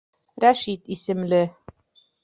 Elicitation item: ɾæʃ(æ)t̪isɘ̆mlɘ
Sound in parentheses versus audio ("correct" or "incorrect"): incorrect